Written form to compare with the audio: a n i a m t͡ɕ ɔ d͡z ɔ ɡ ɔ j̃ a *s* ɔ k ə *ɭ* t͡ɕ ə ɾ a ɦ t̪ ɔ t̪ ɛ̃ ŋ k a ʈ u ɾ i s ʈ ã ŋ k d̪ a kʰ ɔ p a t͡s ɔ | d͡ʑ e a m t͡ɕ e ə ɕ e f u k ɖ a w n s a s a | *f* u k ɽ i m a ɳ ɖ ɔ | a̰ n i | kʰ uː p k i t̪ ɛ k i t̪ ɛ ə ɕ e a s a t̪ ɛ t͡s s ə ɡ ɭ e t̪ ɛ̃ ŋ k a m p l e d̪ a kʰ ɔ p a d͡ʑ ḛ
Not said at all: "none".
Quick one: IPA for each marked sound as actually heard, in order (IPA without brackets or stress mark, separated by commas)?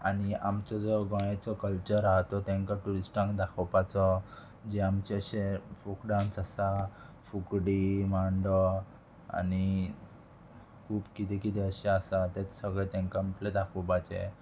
t͡s, l, f